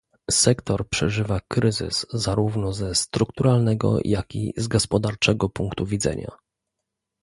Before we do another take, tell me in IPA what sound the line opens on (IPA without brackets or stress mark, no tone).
s